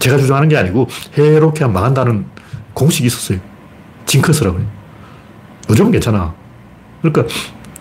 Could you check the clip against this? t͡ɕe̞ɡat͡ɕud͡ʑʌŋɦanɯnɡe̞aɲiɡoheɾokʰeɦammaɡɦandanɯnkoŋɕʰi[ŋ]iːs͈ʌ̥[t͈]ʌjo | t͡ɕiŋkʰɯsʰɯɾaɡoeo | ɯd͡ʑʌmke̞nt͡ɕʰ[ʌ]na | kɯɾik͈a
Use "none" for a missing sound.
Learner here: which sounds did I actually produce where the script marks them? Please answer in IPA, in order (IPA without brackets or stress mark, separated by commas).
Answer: ɡ, s͈, a